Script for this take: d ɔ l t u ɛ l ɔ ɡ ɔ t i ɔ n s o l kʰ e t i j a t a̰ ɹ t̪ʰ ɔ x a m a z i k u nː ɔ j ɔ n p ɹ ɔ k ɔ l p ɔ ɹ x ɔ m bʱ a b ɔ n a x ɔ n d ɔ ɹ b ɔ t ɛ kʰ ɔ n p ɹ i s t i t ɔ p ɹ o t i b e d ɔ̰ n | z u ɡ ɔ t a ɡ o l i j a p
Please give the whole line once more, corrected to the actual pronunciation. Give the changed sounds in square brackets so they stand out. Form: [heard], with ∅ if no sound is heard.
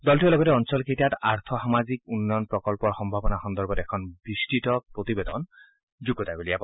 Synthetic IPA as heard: d ɔ l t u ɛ l ɔ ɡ ɔ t [ɛ] ɔ n s [ɔ] l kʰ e t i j a t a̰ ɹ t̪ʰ ɔ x a m a z i k u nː ɔ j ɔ n p ɹ ɔ k ɔ l p ɔ ɹ x ɔ m bʱ a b ɔ n a x ɔ n d ɔ ɹ b ɔ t ɛ kʰ ɔ n [b] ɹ i s t i t ɔ p ɹ o t i b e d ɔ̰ n | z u ɡ ɔ t a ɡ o l i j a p